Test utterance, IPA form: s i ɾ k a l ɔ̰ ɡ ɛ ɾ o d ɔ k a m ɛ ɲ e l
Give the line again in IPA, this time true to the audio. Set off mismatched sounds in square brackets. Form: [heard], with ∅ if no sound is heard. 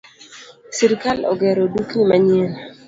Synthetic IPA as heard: s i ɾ k a l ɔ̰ ɡ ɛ ɾ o d [u] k [i] m [a] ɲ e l